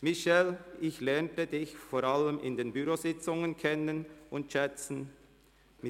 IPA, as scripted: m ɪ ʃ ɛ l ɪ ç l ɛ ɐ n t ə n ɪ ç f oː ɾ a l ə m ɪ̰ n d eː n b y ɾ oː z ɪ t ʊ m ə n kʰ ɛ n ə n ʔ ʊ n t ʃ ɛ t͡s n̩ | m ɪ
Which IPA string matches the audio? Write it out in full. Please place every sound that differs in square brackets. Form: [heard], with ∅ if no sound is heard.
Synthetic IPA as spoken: m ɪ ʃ ɛ l ɪ ç l ɛ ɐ n t ə [d] ɪ ç f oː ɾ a l ə m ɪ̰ n d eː n b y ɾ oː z ɪ [t͡s] ʊ [ŋ] ə n kʰ ɛ n ə n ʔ ʊ n t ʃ ɛ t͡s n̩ | m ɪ